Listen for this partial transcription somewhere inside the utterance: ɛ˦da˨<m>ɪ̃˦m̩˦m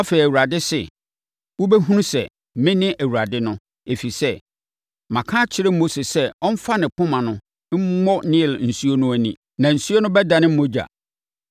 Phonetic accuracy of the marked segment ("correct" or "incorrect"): incorrect